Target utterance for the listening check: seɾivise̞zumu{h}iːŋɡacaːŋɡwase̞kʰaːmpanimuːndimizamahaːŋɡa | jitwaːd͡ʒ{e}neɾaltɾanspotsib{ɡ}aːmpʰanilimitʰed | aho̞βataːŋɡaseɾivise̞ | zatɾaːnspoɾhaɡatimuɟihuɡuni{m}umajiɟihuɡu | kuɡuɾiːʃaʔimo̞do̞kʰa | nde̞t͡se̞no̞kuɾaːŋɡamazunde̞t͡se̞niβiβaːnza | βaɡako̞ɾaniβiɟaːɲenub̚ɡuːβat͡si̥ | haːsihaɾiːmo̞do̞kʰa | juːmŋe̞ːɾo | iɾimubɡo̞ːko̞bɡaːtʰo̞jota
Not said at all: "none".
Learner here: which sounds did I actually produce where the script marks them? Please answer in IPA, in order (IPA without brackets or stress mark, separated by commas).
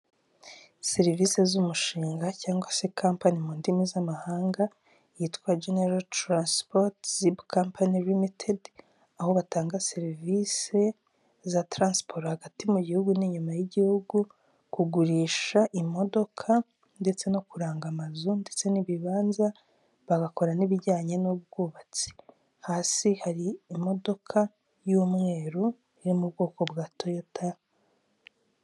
ʃ, e, k, ɲ